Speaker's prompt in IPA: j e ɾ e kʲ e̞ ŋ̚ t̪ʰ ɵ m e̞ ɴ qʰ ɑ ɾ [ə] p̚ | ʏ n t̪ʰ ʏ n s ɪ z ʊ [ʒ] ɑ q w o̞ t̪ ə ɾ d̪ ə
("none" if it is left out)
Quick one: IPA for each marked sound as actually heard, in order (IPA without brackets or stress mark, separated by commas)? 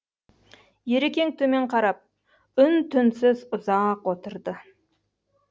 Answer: ɑ, z